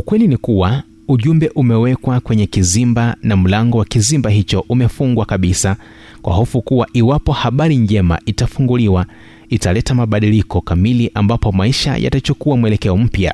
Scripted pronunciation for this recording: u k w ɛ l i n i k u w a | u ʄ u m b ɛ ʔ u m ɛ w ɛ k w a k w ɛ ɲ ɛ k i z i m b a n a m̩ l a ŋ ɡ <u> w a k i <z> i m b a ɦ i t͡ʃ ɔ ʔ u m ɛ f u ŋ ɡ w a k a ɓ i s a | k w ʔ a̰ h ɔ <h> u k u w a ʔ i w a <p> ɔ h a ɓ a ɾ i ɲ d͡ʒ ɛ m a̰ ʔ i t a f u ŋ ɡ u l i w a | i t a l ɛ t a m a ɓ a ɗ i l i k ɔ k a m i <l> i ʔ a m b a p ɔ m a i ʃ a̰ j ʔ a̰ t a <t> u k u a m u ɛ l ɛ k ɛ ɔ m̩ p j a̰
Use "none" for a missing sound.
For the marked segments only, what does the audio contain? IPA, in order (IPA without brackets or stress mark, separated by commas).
ɔ, z, f, p, l, t͡ʃ